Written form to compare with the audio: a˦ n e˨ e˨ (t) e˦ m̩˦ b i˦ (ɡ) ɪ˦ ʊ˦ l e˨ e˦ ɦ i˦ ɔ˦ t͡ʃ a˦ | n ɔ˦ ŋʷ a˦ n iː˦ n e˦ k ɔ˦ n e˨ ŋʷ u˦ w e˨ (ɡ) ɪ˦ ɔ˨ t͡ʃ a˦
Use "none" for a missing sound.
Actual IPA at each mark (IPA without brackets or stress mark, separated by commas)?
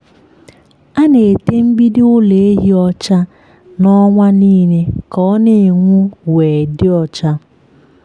t, d, d